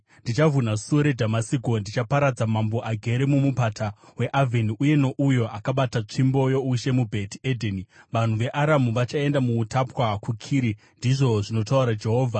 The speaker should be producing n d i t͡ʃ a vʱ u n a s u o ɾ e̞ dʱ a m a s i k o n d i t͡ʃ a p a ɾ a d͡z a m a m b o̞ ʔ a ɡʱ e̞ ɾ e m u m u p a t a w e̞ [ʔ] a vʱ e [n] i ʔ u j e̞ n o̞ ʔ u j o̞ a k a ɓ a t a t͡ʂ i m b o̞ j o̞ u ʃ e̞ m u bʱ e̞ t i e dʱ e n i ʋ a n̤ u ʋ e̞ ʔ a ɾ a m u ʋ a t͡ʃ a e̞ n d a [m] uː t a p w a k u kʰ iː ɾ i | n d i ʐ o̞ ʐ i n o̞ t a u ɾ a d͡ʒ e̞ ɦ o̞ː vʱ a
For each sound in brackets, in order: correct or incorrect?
correct, correct, correct

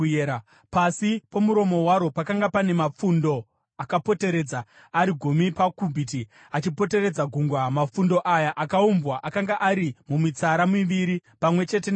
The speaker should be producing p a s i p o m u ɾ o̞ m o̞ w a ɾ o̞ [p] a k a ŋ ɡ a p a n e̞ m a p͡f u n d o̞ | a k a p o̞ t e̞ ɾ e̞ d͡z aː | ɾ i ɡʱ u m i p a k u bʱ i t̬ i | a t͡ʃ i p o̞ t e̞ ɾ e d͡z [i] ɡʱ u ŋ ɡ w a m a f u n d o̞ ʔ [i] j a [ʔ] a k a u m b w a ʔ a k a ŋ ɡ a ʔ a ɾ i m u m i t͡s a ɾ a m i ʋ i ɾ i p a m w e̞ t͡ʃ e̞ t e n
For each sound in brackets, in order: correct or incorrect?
correct, incorrect: a, incorrect: a, correct

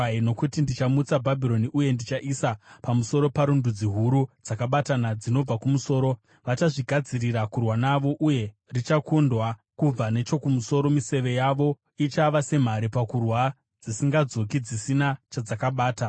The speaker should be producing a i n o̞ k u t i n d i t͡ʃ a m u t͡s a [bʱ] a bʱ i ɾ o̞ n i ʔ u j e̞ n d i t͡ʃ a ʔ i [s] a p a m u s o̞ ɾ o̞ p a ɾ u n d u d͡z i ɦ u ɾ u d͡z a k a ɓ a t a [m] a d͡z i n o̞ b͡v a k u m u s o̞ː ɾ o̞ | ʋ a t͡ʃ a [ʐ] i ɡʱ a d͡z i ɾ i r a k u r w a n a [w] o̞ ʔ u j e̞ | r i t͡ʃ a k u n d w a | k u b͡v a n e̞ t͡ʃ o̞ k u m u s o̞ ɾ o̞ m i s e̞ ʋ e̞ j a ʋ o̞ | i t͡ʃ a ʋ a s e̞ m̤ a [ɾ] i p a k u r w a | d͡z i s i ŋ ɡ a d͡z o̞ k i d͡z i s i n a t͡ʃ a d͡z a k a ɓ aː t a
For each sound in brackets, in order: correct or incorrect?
correct, correct, incorrect: n, correct, incorrect: ʋ, correct

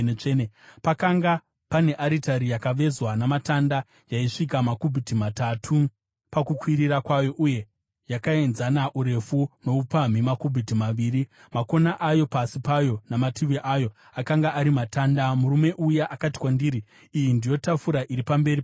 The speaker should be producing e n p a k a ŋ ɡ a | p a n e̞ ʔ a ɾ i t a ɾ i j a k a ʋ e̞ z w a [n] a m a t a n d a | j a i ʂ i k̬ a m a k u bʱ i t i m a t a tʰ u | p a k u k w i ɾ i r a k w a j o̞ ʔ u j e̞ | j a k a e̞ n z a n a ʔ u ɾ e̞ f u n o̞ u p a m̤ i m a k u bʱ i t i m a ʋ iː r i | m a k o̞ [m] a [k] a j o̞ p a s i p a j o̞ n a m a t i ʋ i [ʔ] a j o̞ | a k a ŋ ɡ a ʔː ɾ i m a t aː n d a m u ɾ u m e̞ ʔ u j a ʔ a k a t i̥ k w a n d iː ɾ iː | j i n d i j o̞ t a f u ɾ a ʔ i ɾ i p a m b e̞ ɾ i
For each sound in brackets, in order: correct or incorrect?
correct, incorrect: n, incorrect: ʔ, correct

